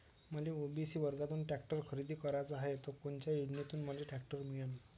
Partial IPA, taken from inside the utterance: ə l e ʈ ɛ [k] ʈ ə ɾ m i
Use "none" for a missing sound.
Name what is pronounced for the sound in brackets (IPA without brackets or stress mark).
k